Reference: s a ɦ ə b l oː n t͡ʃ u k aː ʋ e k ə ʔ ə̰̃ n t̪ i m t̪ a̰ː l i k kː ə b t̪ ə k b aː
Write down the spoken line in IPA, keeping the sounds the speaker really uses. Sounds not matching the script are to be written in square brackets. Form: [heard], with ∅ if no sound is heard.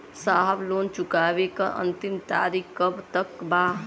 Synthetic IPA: s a ɦ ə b l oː n t͡ʃ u k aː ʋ e k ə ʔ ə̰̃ n t̪ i m t̪ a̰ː [ɾ] i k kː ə b t̪ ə k b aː

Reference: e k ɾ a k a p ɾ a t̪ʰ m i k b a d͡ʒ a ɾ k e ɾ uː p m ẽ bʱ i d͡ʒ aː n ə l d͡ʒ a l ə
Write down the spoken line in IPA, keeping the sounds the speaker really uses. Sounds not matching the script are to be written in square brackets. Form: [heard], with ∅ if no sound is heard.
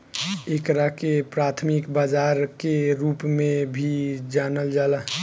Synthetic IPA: e k ɾ a k [e] p ɾ a t̪ʰ m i k b a d͡ʒ a ɾ k e ɾ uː p m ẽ bʱ i d͡ʒ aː n ə l d͡ʒ a l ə

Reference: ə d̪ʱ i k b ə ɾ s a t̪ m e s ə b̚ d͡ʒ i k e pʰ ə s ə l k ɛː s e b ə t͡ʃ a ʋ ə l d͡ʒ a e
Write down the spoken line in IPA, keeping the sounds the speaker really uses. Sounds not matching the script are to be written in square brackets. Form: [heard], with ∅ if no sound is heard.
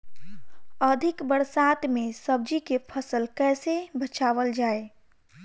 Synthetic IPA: ə d̪ʱ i k b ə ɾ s a t̪ m e s ə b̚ d͡ʒ i k e pʰ ə s ə l k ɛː s e b ə t͡ʃ a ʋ ə l d͡ʒ a e

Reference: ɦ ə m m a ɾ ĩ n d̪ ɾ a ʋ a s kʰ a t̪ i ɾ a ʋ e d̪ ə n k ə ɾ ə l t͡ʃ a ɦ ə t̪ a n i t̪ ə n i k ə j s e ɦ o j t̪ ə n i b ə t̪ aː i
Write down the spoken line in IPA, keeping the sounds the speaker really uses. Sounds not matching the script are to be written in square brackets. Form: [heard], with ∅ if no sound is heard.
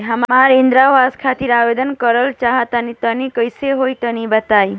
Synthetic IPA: ɦ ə m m a ɾ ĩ n d̪ ɾ a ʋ a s kʰ a t̪ i ɾ a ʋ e d̪ ə n k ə ɾ ə l t͡ʃ a ɦ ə t̪ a n i t̪ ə n i k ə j s e ɦ o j t̪ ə n i b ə t̪ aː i

